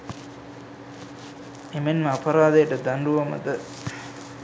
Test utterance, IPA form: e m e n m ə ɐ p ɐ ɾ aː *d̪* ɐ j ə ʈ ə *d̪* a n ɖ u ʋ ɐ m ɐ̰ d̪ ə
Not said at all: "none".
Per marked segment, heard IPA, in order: d̪, d̪

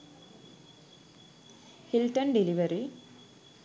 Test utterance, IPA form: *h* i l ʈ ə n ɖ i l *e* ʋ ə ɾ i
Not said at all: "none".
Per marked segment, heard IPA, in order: h, i

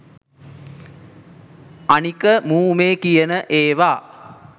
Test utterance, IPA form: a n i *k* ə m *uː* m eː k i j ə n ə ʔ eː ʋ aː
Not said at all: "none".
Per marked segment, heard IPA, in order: k, uː

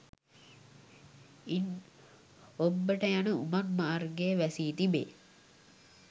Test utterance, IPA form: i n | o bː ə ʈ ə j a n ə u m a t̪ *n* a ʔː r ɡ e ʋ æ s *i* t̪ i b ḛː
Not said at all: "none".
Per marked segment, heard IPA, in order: m, iː

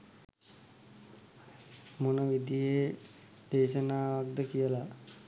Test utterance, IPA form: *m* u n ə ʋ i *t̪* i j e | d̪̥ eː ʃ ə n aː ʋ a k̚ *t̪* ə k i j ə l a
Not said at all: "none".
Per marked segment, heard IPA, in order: m, d̪, d̪

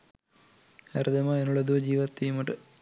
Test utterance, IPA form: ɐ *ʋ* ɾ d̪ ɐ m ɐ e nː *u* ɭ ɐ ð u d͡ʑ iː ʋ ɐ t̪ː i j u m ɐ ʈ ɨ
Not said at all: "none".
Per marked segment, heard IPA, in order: none, u

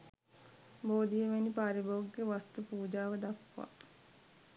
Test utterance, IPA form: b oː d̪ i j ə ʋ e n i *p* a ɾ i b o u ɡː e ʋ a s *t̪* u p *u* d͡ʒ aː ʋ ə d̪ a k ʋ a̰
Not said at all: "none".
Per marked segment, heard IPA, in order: p, t̪, uː

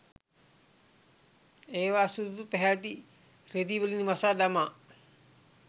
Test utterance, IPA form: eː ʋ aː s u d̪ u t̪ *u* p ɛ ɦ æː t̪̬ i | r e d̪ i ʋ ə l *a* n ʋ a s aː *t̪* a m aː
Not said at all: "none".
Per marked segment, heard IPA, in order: u, i, d̪

